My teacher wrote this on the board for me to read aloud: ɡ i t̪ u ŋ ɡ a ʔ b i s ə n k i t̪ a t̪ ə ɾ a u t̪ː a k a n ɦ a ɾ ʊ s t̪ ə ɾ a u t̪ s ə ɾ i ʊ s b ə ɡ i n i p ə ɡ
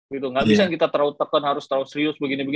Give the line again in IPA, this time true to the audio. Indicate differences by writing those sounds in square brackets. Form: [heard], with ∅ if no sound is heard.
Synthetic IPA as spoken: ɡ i t̪ u ŋ ɡ a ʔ b i s [a] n k i t̪ a t̪ ə ɾ a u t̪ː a k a n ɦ a ɾ ʊ s t̪ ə ɾ a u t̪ s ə ɾ i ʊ s b ə ɡ i n i [b] ə ɡ